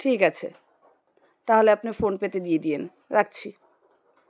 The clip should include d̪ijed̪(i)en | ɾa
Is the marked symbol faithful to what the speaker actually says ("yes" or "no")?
yes